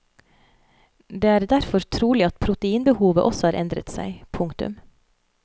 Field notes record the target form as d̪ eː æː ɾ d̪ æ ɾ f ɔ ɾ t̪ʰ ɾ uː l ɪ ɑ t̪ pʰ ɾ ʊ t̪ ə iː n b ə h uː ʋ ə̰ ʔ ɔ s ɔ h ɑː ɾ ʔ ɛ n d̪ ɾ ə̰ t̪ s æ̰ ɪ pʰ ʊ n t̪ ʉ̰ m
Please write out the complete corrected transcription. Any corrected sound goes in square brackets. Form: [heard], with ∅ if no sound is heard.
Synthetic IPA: d̪ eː æː ɾ d̪ æ ɾ f ɔ ɾ t̪ʰ ɾ uː l ɪ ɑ t̪ pʰ ɾ ʊ t̪ ə iː n b ə h uː ʋ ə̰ ʔ ɔ s ɔ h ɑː ɾ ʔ ɛ n d̪ ɾ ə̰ t̪ s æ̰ ɪ pʰ ʊ [ŋ] t̪ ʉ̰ m